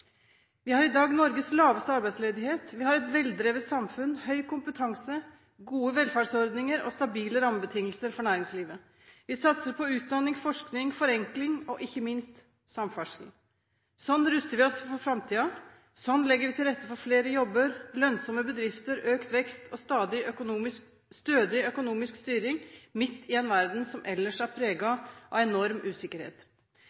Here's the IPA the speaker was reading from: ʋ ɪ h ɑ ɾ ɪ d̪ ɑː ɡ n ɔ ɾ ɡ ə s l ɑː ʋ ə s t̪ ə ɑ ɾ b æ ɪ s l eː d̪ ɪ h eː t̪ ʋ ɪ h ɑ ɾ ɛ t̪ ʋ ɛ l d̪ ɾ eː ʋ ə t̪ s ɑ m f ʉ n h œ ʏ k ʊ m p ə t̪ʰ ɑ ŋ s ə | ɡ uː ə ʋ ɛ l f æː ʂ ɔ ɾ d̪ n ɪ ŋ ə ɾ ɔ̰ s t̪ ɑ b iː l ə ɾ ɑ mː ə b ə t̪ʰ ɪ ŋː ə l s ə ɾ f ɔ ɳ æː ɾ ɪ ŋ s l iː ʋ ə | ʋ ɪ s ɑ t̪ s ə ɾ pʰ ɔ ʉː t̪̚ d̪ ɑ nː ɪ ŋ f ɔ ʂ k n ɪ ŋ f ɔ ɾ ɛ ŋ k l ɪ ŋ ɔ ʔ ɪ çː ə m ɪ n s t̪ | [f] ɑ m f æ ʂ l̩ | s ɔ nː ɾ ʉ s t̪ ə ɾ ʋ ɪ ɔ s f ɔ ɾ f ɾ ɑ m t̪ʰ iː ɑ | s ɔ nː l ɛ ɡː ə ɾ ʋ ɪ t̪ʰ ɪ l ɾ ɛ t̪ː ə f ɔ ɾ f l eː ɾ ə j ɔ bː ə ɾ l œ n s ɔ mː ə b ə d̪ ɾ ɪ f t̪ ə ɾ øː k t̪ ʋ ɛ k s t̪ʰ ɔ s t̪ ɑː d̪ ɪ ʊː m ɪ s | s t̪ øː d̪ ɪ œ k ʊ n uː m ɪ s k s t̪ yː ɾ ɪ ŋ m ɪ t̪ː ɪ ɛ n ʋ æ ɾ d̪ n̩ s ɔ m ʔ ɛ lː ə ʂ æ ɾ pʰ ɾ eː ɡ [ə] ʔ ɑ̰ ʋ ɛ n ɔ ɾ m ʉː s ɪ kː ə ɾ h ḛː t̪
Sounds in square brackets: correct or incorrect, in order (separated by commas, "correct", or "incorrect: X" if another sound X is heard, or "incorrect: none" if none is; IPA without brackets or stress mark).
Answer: incorrect: s, incorrect: ɑ